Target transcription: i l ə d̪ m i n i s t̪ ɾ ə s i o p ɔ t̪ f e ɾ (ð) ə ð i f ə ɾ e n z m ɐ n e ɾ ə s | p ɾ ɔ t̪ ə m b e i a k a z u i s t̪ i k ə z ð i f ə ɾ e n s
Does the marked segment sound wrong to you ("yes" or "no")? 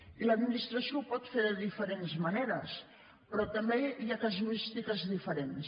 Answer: no